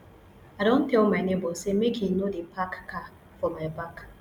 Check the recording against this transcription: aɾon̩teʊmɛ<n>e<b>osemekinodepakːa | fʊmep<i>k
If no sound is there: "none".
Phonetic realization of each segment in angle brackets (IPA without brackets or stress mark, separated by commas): n, b, a